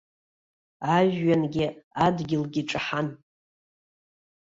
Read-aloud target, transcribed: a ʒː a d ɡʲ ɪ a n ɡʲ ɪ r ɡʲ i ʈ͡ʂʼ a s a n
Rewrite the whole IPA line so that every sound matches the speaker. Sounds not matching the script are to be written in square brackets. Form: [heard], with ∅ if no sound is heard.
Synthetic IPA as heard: a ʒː a [n] ɡʲ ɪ a [d] ɡʲ ɪ [l] ɡʲ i ʈ͡ʂʼ a [ħ] a n